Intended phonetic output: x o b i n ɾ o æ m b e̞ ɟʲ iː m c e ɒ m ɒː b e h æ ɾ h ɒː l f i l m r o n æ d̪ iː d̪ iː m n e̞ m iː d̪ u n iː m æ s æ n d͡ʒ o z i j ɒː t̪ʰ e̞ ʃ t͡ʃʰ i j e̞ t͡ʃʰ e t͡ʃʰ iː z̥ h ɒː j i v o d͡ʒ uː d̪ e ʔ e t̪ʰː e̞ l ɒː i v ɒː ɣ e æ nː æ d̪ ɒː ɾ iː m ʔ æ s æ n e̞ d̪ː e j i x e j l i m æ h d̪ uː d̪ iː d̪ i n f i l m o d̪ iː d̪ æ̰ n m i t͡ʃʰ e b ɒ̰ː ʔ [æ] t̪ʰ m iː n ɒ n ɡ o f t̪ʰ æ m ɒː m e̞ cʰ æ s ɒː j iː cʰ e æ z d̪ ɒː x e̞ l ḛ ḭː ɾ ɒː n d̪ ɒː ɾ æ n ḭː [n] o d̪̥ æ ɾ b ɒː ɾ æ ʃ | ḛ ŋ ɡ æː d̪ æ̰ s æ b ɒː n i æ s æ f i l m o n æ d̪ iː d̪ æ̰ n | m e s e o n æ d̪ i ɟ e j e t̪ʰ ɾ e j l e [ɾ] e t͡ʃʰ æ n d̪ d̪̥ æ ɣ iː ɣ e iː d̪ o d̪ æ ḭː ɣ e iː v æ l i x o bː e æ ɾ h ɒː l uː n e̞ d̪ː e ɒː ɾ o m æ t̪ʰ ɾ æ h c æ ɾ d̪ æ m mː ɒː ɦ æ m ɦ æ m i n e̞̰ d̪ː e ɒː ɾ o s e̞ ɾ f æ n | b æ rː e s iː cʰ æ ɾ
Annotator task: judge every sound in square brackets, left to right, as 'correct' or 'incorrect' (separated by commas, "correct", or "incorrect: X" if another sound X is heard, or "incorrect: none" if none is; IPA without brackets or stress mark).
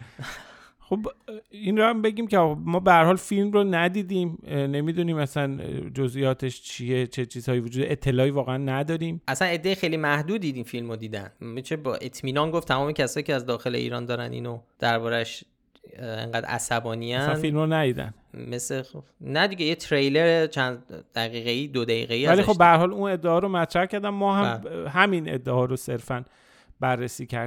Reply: incorrect: e, correct, correct